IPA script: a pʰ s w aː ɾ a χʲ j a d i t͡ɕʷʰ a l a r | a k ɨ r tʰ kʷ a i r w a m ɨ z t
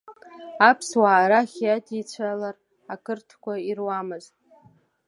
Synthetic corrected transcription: a pʰ s w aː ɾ a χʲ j a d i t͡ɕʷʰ a l a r | a k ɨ r tʰ kʷ a i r w a m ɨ z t

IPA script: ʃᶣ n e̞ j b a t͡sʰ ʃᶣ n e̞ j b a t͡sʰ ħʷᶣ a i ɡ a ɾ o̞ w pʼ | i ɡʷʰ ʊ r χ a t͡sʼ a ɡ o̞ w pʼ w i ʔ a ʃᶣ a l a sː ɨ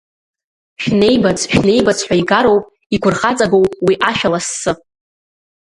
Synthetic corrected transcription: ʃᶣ n e̞ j b a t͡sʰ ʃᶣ n e̞ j b a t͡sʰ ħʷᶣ a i ɡ a ɾ o̞ w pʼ | i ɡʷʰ ʊ r χ a t͡sʼ a ɡ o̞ w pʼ w i ʔ a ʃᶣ a l a sː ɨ

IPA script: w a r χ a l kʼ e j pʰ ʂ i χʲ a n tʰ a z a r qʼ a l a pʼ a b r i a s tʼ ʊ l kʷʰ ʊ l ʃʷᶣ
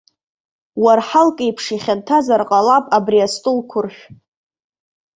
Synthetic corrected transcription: w a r ħ a l kʼ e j pʰ ʂ i χʲ a n tʰ a z a r qʼ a l a pʼ a b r i a s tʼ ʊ l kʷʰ ʊ r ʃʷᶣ

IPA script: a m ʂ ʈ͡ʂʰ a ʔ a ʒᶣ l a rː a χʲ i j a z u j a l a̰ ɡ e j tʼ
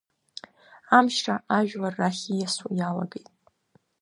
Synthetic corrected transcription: a m ʃ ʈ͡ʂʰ a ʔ a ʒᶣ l a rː a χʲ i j a s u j a l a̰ ɡ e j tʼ

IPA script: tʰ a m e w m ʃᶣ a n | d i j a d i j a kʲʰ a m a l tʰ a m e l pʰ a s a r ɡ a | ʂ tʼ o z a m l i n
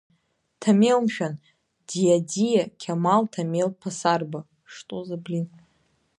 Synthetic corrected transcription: tʰ a m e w m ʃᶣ a n | d i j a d i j a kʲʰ a m a l tʰ a m e l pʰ a s a r b a | ʂ tʼ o z a b l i n

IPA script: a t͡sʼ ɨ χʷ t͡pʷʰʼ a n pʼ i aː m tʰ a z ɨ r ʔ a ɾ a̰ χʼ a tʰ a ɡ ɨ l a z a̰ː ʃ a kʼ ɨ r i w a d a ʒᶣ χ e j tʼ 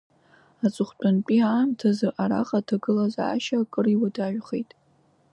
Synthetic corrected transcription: a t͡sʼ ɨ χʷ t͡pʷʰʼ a n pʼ i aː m tʰ a z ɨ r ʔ a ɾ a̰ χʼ a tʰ a ɡ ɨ l a z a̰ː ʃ a kʼ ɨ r i w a d a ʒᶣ χ e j tʼ

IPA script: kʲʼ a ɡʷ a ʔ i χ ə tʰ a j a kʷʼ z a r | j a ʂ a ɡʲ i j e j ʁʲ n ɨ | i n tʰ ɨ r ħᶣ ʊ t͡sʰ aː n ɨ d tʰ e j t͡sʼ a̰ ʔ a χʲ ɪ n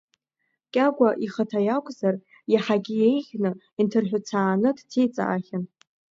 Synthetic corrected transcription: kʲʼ a ɡʷ a ʔ i χ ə tʰ a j a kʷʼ z a r | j a ħ a ɡʲ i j e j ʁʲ n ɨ | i n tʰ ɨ r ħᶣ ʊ t͡sʰ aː n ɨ d tʰ e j t͡sʼ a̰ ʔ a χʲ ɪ n

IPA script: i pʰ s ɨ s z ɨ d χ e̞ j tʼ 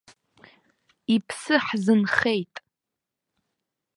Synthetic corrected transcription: i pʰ s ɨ ħ z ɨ n χ e̞ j tʼ

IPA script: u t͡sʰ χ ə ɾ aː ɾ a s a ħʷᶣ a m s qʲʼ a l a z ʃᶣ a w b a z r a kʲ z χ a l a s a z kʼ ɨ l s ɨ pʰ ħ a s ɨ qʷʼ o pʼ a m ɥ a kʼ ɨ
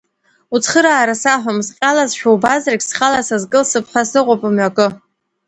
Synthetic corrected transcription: u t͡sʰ χ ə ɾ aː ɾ a s a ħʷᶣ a m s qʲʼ a l a z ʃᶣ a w b a z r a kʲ s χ a l a s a z kʼ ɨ l s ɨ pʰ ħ a s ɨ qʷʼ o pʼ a m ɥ a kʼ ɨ

